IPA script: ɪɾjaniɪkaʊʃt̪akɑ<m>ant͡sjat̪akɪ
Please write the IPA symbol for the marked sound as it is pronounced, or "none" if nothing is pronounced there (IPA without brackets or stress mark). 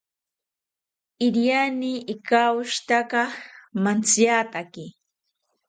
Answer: m